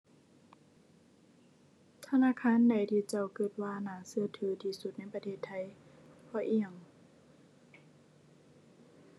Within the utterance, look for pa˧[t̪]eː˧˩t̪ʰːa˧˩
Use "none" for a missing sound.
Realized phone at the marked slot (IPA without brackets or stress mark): t̪ʰ